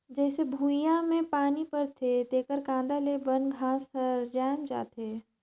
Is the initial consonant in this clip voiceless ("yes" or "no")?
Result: no